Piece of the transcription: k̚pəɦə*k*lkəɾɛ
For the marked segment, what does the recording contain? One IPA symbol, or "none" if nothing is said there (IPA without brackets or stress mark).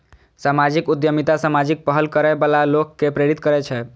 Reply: none